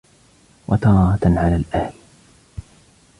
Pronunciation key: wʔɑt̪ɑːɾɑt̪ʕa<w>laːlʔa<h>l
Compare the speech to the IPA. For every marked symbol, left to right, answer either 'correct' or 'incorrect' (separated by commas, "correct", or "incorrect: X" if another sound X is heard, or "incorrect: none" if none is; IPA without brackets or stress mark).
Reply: incorrect: none, correct